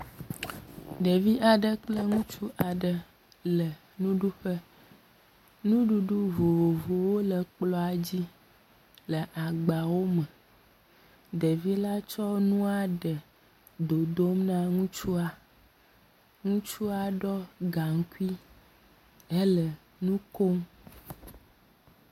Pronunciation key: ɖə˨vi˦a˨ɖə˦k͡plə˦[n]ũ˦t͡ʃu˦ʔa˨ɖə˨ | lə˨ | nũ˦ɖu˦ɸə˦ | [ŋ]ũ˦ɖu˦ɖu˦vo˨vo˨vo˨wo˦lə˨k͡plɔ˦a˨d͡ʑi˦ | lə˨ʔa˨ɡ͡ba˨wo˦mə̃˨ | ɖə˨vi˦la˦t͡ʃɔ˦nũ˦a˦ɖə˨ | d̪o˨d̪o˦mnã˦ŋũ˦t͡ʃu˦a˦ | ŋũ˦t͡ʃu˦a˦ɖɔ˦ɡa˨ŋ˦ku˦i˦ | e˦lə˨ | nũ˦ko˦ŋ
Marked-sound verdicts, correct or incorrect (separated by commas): incorrect, incorrect